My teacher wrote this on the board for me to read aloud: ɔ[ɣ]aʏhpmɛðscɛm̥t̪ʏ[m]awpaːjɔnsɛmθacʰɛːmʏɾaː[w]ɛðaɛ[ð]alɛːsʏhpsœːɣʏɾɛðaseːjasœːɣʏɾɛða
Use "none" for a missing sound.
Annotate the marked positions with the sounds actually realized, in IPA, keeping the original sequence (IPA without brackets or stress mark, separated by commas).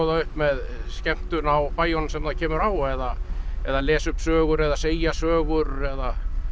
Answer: ð, n, w, ð